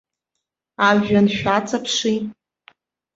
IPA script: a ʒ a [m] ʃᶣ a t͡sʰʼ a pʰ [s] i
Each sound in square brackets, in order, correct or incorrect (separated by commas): incorrect, incorrect